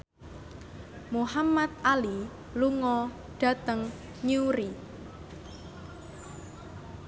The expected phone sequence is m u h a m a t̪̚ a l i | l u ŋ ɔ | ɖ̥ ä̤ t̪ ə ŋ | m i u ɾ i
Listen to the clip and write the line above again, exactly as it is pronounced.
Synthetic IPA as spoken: m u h a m a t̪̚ a l i | l u ŋ ɔ | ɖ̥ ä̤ t̪ ə ŋ | ɲ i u ɾ i